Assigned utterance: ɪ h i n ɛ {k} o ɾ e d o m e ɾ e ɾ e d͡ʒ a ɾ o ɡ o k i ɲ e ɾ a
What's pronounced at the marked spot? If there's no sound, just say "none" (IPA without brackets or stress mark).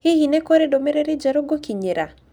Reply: k